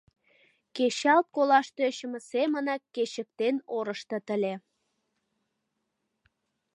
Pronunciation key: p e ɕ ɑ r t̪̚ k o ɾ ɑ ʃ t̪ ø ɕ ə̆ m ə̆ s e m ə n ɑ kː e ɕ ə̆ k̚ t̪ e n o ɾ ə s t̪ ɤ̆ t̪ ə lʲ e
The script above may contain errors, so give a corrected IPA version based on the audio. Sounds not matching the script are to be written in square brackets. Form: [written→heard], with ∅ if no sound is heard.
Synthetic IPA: [p→k] e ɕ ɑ [r→l] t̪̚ k o [ɾ→l] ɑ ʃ t̪ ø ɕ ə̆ m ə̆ s e m ə n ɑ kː e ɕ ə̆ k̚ t̪ e n o ɾ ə [s→ʃ] t̪ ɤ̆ t̪ ə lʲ e